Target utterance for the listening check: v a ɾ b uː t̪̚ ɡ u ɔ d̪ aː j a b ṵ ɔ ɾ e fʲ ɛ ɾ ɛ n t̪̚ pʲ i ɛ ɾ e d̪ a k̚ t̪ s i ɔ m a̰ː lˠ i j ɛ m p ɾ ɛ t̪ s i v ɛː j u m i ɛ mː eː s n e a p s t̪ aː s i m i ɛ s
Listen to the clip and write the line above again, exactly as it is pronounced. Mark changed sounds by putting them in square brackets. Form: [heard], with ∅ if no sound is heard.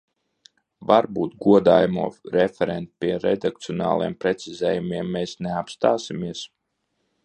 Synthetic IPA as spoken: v a ɾ b uː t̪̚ ɡ u ɔ d̪ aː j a [m] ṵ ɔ ɾ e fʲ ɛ ɾ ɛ n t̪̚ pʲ i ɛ ɾ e d̪ a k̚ t̪ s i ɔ [n] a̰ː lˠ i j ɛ m p ɾ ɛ t̪ s i [z] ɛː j u m i ɛ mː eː s n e a p s t̪ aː s i m i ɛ s